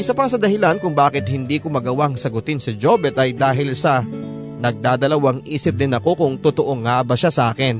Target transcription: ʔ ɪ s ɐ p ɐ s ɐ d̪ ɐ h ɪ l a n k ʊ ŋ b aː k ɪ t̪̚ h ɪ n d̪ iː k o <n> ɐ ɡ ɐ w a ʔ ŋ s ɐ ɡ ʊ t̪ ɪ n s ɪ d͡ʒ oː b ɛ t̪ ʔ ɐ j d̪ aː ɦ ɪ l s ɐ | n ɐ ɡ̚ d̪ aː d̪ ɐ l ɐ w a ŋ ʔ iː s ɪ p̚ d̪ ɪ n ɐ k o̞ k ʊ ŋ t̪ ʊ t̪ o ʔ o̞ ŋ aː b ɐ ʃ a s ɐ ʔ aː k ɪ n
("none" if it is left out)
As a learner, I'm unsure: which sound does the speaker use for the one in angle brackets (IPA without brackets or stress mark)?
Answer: m